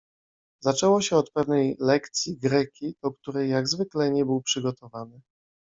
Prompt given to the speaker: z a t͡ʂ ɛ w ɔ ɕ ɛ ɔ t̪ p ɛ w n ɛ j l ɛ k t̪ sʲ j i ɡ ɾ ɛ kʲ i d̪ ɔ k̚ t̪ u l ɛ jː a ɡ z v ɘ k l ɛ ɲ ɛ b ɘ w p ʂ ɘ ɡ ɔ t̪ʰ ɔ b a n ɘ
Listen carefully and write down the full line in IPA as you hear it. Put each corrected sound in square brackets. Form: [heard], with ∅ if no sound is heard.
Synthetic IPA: z a t͡ʂ ɛ w ɔ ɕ ɛ ɔ t̪ p ɛ [v] n ɛ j l ɛ k t̪ sʲ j i ɡ ɾ ɛ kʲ i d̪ ɔ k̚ t̪ u [ɾ] ɛ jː a ɡ z v ɘ k l ɛ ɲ ɛ b ɘ w p ʂ ɘ ɡ ɔ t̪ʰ ɔ [v] a n ɘ

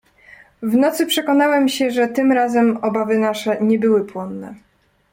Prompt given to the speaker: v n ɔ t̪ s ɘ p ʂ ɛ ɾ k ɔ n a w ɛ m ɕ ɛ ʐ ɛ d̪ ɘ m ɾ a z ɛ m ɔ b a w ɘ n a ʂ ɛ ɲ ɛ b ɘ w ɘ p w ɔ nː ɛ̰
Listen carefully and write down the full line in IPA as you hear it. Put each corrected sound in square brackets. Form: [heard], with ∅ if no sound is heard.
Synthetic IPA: v n ɔ t̪ s ɘ p ʂ ɛ [∅] k ɔ n a w ɛ m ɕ ɛ ʐ ɛ [t̪] ɘ m ɾ a z ɛ m ɔ b a [v] ɘ n a ʂ ɛ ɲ ɛ b ɘ w ɘ p w ɔ nː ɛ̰

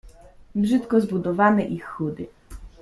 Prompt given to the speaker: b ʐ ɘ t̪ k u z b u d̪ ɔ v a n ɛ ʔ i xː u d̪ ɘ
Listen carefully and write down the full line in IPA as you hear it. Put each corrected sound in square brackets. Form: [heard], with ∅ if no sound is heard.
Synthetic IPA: b ʐ ɘ t̪ k [ɔ] z b u d̪ ɔ v a n ɛ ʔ i xː u d̪ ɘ

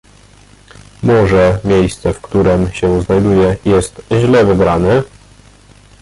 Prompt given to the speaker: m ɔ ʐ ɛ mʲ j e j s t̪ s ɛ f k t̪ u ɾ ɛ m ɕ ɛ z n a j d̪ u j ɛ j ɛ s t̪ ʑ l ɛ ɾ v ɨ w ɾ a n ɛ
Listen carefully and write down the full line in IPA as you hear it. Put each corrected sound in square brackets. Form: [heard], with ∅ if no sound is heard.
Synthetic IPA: m ɔ ʐ ɛ mʲ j e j s t̪ s ɛ f k t̪ u ɾ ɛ m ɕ ɛ z n a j d̪ u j ɛ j ɛ s t̪ ʑ l ɛ [∅] v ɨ [b] ɾ a n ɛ

